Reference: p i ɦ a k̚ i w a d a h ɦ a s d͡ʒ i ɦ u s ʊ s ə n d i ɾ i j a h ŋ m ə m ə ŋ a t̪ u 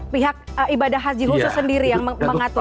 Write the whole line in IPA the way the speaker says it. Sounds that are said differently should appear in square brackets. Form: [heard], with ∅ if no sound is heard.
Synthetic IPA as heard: p i ɦ a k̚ i [b] a d a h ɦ a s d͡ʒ i ɦ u s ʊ s ə n d i ɾ i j a [∅] ŋ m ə m ə ŋ a t̪ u